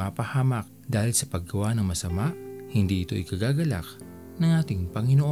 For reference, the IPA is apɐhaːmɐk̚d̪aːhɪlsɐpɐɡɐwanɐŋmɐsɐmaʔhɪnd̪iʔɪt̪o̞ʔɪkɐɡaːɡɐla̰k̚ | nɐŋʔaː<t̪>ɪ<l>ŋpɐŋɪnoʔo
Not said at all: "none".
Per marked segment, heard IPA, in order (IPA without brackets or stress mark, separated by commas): t̪, none